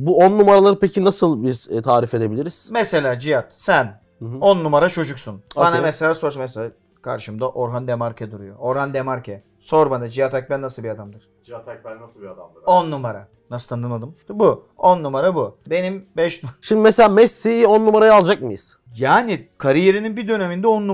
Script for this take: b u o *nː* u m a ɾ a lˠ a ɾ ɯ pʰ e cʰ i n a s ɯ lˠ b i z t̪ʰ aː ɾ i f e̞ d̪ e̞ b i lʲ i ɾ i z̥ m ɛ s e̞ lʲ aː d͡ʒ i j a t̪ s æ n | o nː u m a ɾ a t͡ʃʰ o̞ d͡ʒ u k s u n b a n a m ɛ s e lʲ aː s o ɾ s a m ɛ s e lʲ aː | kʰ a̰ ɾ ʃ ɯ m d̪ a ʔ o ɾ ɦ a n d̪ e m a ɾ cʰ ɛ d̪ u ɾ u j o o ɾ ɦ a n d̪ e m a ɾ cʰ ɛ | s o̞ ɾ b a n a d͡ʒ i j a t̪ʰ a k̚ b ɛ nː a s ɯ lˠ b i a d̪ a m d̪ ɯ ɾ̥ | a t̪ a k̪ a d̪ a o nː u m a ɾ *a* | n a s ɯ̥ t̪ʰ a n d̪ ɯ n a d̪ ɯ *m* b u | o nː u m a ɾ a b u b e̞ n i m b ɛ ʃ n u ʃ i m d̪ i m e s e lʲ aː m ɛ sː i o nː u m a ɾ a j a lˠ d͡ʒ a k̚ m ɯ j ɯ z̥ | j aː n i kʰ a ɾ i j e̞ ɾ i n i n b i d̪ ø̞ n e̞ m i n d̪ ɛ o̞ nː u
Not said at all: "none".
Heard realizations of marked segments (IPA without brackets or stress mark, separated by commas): nː, a, m